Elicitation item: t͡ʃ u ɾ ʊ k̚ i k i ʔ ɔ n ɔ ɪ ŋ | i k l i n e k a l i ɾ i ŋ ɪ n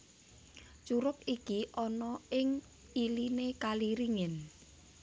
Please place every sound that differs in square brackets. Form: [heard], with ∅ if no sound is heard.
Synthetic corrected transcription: t͡ʃ u ɾ ʊ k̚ i k i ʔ ɔ n ɔ ɪ ŋ | i [∅] l i n e k a l i ɾ i ŋ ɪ n